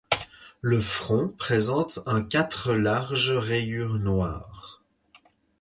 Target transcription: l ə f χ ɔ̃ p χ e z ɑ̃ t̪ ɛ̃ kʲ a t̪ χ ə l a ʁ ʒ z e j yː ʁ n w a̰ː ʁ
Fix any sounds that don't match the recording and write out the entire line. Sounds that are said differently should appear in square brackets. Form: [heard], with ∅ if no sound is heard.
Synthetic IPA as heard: l ə f χ ɔ̃ p χ e z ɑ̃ t̪ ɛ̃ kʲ a t̪ χ ə l a ʁ ʒ [ʁ] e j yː ʁ n w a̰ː ʁ